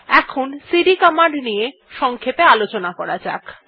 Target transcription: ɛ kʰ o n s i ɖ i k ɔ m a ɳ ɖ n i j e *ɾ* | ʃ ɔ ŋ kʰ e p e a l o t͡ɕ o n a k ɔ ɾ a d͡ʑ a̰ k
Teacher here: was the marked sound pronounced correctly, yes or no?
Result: no